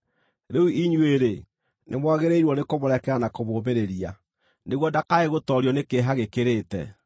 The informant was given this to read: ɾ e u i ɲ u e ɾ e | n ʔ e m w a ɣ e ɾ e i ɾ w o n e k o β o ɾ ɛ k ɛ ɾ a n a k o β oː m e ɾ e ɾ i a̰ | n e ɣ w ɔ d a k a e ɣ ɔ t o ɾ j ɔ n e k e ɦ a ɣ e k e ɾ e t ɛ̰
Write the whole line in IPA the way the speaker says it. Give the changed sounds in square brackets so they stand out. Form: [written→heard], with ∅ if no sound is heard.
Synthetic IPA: ɾ e u i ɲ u e ɾ e | n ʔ e m w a ɣ e ɾ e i ɾ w [o→ɔ] n e k o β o ɾ ɛ k ɛ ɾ a n a k o β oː m e ɾ e ɾ i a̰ | n e ɣ w ɔ d a k a e ɣ [ɔ→o] t [o→ɔ] ɾ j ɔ n e k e ɦ a ɣ e k e ɾ e t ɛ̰